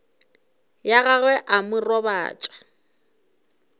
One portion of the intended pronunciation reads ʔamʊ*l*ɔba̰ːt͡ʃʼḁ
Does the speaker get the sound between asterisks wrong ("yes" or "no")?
yes